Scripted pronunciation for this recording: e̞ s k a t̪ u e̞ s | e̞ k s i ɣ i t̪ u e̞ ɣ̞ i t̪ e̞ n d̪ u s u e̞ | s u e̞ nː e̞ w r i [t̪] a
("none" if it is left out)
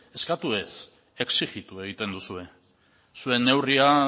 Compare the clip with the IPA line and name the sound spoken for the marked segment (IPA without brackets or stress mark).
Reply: none